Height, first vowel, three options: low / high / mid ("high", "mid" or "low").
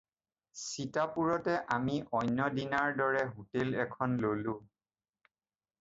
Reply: high